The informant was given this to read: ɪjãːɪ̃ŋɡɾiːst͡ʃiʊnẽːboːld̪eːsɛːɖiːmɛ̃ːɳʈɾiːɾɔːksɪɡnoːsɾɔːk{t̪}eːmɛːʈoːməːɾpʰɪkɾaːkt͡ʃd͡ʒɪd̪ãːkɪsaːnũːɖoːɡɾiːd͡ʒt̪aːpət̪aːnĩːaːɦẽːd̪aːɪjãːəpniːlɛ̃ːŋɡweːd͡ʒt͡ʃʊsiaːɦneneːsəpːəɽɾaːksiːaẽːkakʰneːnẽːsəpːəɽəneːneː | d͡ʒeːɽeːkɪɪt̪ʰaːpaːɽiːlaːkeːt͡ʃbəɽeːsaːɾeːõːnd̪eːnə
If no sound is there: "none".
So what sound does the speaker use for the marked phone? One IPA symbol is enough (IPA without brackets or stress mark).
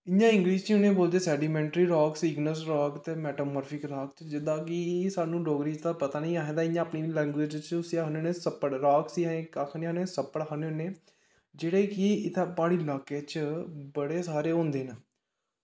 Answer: t̪